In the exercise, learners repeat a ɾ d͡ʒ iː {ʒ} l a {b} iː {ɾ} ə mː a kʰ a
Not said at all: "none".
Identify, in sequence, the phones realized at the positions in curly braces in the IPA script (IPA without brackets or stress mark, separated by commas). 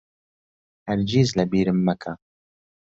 z, b, ɾ